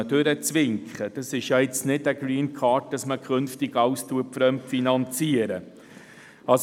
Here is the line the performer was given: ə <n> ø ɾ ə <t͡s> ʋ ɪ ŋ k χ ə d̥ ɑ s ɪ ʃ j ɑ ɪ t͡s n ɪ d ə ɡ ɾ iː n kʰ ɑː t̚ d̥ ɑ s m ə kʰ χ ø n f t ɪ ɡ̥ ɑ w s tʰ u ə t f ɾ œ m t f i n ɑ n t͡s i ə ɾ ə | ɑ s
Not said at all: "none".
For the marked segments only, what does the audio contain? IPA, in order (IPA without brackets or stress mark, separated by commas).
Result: d, t͡s